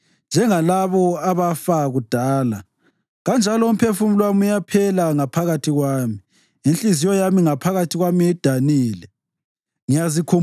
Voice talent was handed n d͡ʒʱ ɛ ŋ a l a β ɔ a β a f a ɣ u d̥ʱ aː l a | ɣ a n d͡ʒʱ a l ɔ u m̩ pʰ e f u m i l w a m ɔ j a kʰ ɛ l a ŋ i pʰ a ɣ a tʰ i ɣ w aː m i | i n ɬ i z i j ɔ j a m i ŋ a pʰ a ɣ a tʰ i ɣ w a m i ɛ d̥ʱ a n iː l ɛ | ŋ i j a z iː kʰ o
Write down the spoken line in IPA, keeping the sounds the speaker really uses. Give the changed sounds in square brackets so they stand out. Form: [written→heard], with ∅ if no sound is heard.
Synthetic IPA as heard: n d͡ʒʱ ɛ ŋ a l a β ɔ a β a f a ɣ u d̥ʱ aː l a | ɣ a n d͡ʒʱ a l ɔ u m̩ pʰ e f u m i l w a m [ɔ→u] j a [kʰ→pʰ] ɛ l a ŋ [i→a] pʰ a ɣ a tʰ i ɣ w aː m i | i n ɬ i z i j ɔ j a m i ŋ a pʰ a ɣ a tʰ i ɣ w a m i ɛ d̥ʱ a n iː l ɛ | ŋ i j a z [iː→i] kʰ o